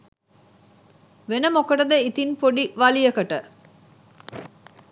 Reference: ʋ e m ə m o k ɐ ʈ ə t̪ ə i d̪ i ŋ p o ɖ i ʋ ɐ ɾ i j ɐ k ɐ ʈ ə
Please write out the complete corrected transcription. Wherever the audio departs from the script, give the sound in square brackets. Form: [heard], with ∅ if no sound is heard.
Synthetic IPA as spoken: ʋ e [n] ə m o k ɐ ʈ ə [d̪] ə i [t̪] i [n] p o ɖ i ʋ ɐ [l] i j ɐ k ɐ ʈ ə